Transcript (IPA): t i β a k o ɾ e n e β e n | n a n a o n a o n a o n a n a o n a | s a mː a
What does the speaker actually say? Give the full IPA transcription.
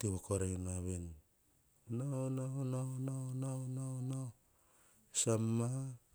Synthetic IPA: t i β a k o ɾ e n a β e n | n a n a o n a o n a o n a n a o n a | s a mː a